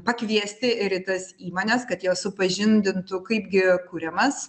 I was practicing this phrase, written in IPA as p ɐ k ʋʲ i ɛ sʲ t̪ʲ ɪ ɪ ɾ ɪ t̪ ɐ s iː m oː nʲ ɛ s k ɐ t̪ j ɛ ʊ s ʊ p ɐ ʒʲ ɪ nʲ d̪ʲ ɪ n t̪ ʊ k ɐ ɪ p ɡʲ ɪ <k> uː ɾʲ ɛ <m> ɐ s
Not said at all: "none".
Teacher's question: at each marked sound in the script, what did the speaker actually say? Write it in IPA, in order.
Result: k, m

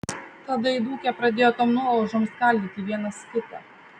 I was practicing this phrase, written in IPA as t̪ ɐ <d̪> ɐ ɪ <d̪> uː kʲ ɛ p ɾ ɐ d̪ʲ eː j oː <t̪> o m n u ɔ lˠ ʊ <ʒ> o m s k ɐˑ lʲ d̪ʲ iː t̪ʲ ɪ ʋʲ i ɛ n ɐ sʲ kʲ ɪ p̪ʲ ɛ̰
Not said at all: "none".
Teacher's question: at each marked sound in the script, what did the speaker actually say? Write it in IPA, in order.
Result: d̪, d̪, t̪, ʒ

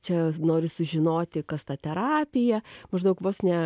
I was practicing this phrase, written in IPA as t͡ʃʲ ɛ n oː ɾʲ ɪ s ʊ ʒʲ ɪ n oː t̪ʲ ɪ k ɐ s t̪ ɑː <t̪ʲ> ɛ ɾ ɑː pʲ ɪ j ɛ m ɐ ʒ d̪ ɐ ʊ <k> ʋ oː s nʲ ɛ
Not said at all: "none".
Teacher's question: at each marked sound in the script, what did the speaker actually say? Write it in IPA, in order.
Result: t̪ʲ, k

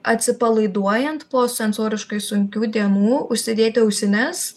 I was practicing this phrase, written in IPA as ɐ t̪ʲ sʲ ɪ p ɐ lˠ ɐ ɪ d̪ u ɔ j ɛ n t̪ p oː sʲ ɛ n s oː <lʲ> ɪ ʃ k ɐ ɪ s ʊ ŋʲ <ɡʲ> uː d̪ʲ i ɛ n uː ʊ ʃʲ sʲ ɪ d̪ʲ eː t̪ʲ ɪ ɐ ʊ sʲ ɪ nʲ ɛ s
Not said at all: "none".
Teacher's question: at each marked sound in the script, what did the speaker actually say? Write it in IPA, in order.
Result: ɾʲ, kʲ

